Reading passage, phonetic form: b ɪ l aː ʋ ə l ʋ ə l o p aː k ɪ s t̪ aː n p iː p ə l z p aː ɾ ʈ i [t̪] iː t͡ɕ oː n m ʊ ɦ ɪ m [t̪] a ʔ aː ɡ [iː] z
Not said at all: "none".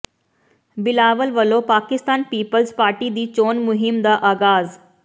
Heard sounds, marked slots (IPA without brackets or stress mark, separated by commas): d̪, d̪, aː